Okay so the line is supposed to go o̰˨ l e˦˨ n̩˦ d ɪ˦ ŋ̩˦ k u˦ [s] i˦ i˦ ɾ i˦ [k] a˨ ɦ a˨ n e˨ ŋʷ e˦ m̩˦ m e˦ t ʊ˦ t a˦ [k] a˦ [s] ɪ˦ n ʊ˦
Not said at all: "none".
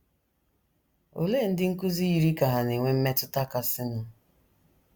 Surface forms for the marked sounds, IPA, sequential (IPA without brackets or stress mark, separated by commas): z, k, k, s